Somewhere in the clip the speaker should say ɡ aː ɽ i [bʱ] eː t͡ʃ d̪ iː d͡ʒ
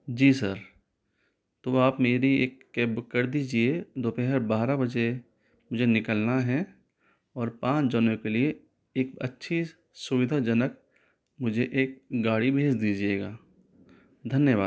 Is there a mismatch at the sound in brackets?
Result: no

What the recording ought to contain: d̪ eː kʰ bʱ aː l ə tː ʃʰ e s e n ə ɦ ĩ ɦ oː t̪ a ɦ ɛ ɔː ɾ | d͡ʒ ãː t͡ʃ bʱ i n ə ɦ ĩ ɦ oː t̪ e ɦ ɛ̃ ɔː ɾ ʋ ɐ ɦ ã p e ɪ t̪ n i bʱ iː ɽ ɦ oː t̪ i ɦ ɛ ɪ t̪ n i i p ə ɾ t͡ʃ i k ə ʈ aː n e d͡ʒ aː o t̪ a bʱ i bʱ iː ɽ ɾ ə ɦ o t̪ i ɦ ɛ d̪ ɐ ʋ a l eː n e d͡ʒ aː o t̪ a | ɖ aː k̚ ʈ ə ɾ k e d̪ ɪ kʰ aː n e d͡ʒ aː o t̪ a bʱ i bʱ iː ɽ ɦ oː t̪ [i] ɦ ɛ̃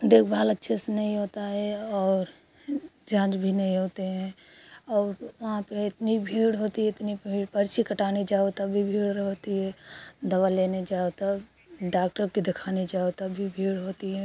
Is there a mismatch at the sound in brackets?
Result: no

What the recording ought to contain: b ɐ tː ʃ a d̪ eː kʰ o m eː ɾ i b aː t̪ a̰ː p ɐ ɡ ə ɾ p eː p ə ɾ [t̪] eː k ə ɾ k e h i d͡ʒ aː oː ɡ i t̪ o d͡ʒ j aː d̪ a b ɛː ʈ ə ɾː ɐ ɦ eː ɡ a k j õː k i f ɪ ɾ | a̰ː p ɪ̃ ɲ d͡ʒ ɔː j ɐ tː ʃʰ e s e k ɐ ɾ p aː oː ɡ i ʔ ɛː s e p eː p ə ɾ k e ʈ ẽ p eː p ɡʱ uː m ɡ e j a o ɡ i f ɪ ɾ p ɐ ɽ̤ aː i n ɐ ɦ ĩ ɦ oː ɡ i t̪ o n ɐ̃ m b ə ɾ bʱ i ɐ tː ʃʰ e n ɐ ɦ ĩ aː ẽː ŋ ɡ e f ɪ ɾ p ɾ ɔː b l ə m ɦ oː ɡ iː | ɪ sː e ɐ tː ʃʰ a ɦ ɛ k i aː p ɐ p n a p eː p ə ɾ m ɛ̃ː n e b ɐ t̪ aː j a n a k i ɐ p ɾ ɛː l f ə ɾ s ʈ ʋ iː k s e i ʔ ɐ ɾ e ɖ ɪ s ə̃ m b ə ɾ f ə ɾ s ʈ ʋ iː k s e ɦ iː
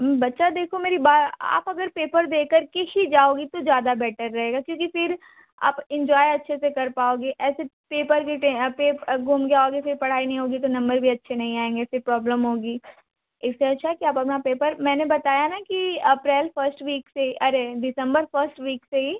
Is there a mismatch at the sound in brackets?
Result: yes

